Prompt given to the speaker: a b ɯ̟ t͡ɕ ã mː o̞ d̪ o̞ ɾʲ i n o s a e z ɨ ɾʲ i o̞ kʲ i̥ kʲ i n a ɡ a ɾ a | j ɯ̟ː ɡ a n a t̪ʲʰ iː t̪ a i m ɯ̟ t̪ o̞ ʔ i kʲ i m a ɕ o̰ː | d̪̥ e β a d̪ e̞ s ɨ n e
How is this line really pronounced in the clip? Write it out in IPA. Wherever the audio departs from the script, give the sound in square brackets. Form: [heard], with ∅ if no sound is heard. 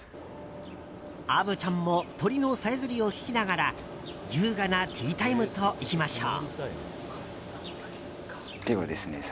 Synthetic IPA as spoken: a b ɯ̟ t͡ɕ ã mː o̞ [t̪] o̞ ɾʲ i n o s a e z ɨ ɾʲ i o̞ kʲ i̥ kʲ i n a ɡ a ɾ a | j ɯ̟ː ɡ a n a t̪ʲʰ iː t̪ a i m ɯ̟ t̪ o̞ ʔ i kʲ i m a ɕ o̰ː | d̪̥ e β a d̪ e̞ s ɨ n e